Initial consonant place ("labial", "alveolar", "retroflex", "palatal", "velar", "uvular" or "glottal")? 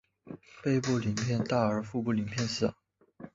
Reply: labial